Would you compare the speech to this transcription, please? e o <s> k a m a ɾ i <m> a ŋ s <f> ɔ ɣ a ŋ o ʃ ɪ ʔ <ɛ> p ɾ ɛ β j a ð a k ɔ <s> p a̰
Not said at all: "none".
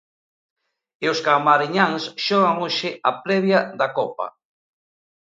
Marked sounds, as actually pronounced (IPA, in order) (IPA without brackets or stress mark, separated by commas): s, ɲ, ʃ, a, none